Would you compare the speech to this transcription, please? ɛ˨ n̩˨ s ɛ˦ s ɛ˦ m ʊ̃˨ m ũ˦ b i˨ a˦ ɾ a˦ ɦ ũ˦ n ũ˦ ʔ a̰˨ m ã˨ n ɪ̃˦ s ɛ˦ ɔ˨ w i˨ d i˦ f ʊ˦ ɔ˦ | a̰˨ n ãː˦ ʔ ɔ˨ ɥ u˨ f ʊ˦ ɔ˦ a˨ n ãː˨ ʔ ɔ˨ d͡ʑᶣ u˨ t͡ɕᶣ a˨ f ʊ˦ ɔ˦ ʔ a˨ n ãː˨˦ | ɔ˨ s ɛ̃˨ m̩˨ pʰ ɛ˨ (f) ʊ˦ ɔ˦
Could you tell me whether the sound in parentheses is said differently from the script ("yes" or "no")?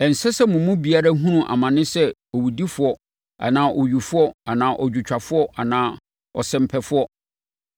no